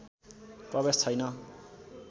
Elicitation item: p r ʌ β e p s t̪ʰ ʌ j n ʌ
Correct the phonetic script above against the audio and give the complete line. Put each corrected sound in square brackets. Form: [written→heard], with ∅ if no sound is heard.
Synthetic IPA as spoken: p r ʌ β e [p→∅] s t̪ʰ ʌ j n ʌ